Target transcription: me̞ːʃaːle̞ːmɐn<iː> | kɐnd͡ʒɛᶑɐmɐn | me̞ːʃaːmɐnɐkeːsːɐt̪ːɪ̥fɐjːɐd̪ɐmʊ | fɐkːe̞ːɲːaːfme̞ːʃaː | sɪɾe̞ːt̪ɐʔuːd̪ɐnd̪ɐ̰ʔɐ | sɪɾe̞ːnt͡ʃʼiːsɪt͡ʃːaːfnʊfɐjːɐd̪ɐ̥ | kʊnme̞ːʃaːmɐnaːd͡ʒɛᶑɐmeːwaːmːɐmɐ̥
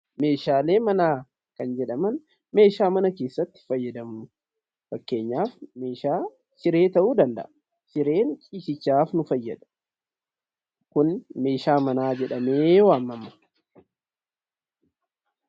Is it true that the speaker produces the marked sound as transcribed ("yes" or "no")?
no